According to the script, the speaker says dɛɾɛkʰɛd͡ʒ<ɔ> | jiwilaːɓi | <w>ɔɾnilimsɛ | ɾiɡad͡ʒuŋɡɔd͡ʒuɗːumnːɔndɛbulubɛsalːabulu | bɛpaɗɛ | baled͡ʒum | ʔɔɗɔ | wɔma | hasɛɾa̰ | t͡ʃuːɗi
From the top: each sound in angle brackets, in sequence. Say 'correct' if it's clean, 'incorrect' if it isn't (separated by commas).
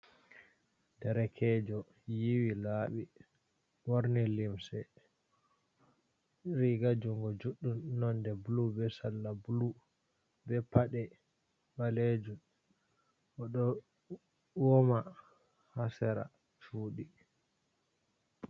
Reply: correct, correct